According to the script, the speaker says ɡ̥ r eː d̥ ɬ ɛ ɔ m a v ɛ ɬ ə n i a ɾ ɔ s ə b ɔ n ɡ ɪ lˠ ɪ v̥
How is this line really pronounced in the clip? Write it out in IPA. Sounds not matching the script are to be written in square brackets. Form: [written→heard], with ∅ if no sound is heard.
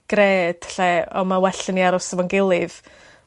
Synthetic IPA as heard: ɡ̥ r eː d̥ ɬ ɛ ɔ m a [v→w] ɛ ɬ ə n i a ɾ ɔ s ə [b→v] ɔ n ɡ ɪ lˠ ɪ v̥